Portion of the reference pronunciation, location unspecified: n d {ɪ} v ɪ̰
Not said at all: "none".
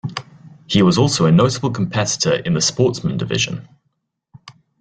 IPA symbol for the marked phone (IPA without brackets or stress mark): ɪ